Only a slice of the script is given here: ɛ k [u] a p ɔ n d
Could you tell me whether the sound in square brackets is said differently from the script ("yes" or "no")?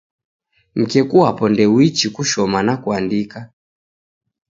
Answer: no